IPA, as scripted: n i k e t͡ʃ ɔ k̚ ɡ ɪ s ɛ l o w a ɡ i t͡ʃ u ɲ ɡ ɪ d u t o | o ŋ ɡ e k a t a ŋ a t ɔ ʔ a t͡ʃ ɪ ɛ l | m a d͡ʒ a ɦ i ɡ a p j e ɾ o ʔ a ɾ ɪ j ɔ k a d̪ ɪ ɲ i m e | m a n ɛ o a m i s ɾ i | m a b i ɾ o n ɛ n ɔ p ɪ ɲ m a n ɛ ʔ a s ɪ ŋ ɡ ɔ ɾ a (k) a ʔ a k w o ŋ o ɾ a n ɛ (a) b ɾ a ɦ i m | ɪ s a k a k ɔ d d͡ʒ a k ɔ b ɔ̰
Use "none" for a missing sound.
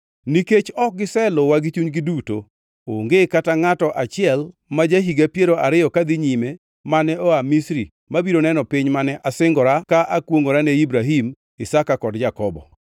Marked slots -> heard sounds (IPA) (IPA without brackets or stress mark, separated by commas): k, i